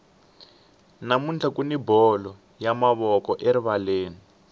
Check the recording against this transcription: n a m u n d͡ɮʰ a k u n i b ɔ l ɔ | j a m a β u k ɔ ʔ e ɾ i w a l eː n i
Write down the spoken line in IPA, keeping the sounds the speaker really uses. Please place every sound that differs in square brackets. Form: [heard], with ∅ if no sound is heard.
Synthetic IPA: n a m u n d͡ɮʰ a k u n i b ɔ l ɔ | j a m a β [ɔ] k ɔ ʔ e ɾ i [β] a l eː n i